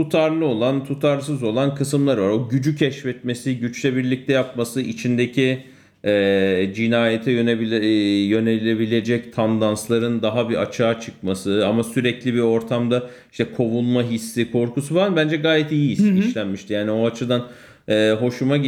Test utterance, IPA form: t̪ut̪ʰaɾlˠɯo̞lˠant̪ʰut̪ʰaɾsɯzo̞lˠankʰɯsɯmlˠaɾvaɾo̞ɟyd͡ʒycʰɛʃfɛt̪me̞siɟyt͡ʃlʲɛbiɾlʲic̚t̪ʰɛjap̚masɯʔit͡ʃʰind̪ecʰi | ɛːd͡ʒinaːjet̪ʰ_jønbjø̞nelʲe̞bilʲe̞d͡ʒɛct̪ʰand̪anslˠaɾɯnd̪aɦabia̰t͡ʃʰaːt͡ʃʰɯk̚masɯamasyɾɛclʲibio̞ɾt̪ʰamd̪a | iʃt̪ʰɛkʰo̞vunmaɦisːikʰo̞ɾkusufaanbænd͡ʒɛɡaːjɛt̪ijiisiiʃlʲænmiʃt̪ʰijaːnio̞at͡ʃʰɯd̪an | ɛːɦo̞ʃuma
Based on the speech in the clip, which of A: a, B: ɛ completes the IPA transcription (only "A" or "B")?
B